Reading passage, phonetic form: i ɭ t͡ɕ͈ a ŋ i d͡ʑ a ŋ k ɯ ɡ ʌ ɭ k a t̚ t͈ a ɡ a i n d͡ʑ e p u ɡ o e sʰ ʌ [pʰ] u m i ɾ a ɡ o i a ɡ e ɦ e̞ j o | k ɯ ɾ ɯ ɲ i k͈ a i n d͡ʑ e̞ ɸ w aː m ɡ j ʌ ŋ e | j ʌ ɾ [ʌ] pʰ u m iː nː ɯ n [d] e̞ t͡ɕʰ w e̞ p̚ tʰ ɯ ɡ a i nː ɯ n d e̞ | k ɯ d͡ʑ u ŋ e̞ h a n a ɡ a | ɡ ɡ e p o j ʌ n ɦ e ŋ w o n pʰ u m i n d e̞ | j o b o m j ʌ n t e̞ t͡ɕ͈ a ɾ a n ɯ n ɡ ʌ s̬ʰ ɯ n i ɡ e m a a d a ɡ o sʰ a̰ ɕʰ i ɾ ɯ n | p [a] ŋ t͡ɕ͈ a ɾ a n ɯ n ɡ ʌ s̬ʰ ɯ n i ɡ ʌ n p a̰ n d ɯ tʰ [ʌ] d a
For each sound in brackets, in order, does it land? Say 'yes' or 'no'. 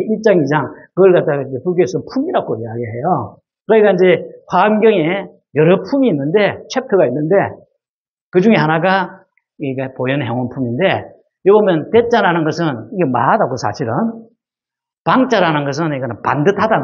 yes, yes, yes, yes, no

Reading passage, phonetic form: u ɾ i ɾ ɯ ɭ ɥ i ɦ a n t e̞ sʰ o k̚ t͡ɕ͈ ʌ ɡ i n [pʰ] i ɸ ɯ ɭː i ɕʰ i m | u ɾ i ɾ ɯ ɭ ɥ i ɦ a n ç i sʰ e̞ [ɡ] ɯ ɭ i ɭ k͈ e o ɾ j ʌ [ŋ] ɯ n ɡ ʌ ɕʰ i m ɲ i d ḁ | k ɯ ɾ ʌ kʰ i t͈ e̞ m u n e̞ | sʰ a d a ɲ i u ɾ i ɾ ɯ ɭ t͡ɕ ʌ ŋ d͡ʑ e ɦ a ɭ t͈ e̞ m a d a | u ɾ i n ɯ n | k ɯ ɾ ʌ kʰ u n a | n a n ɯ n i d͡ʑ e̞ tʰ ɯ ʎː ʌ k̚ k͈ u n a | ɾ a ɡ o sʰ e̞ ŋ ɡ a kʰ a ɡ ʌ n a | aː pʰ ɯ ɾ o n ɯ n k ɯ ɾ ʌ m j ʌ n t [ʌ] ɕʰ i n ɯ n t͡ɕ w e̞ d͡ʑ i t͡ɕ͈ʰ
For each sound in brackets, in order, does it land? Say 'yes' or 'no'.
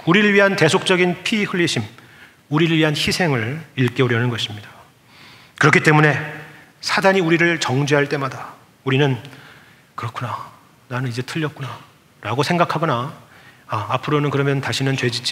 yes, no, no, no

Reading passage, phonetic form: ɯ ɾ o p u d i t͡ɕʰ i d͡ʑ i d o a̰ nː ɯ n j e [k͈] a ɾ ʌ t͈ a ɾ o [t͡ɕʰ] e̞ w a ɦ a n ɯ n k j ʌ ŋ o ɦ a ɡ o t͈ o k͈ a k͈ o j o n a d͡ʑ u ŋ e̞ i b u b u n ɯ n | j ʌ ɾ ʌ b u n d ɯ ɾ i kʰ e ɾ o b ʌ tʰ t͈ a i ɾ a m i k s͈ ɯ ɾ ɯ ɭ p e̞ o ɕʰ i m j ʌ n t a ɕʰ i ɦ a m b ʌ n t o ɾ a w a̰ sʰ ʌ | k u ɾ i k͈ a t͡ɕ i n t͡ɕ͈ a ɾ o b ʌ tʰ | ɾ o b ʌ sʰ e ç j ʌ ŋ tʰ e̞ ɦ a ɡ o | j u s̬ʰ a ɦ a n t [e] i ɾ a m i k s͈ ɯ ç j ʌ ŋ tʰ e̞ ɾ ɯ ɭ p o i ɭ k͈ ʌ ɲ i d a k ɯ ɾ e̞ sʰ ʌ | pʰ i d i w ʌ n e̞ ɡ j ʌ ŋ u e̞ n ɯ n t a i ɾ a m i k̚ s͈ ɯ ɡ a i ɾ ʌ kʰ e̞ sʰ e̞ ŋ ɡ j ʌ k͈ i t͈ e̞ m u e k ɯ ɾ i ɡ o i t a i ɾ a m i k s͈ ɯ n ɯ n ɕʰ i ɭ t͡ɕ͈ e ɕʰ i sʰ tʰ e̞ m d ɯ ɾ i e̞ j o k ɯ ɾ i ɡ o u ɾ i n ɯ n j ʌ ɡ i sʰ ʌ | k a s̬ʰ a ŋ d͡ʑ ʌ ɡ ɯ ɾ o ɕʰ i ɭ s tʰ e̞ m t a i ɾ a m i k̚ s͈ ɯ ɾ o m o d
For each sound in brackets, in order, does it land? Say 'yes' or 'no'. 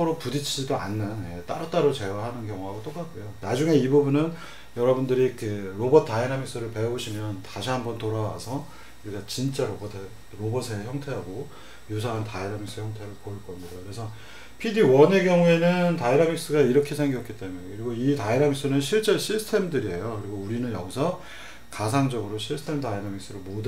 no, no, no

